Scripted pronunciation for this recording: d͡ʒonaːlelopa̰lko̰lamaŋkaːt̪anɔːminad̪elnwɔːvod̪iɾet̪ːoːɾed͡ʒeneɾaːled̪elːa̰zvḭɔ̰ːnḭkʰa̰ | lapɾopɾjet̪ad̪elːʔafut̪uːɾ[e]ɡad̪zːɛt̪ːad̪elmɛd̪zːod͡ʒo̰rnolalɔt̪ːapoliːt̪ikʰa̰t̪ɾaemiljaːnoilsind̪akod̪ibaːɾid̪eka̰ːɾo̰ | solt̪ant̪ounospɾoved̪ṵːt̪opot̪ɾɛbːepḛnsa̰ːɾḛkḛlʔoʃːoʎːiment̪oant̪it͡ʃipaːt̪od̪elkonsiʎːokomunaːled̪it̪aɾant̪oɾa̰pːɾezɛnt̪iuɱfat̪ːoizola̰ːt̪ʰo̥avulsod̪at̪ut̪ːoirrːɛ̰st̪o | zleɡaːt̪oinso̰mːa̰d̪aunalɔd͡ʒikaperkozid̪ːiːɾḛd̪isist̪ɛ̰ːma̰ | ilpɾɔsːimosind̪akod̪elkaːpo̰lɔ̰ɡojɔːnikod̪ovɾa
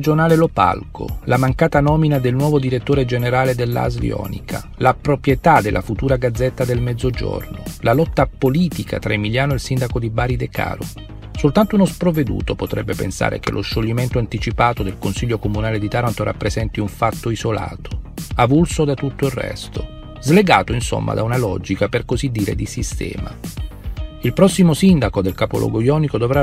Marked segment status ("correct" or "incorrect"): incorrect